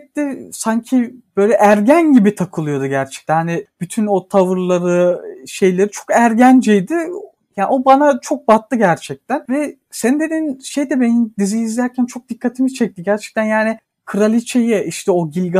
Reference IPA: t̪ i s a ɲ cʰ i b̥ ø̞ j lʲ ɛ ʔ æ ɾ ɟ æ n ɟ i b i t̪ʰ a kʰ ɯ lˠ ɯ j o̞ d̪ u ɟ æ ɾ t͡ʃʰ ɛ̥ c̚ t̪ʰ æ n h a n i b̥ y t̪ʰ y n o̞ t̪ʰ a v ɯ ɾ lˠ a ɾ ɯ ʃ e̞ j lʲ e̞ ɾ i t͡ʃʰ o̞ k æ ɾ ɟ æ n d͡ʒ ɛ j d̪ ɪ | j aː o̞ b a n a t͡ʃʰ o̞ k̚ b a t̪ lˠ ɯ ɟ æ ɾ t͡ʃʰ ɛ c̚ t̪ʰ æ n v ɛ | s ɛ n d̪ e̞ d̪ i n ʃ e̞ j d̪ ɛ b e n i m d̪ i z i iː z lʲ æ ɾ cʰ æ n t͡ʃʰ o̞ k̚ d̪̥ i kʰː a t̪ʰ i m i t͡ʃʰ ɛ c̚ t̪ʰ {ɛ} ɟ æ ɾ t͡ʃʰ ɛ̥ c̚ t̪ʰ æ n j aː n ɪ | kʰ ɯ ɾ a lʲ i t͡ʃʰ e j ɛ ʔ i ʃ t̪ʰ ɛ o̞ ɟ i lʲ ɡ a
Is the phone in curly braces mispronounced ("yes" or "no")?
yes